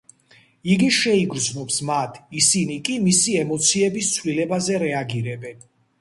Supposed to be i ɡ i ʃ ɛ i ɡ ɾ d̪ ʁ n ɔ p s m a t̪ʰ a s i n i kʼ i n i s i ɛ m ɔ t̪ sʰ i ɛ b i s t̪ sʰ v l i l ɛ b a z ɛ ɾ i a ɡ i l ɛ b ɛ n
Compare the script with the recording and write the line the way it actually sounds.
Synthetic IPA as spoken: i ɡ i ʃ ɛ i ɡ ɾ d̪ z n ɔ p s m a t̪ʰ i s i n i kʼ i m i s i ɛ m ɔ t̪ sʰ i ɛ b i s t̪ sʰ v l i l ɛ b a z ɛ ɾ ɛ a ɡ i ɾ ɛ b ɛ n